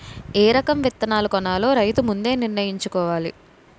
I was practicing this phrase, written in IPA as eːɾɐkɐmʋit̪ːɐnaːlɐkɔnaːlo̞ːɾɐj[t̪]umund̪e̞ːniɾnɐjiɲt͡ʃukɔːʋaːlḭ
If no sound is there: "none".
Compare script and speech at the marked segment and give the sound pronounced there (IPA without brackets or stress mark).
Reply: t̪